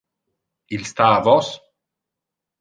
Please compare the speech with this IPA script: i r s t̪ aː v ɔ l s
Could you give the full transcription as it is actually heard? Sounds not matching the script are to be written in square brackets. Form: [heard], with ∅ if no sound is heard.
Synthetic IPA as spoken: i [l] s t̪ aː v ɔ [∅] s